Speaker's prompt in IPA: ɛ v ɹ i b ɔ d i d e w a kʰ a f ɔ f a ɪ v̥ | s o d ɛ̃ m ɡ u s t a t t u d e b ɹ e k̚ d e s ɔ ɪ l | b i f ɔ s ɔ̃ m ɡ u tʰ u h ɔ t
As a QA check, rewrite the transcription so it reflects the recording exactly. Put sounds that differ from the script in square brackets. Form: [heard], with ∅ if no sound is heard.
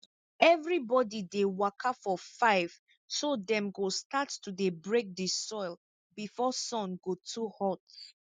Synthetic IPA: ɛ v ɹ i b ɔ d i d e w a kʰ a f ɔ f a ɪ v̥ | s o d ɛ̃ m ɡ [o] s t a t t u d e b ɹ e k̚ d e s ɔ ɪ l | b i f ɔ s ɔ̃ [n] ɡ [o] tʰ u h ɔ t